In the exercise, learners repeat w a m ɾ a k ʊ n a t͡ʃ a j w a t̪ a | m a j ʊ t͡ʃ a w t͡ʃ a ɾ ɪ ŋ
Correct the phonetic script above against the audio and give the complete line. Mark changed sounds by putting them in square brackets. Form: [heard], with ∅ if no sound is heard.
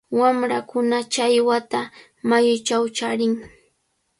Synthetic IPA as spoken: w a m ɾ a k ʊ n a t͡ʃ a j w a t̪ a | m a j ʊ t͡ʃ a w t͡ʃ a ɾ ɪ ŋ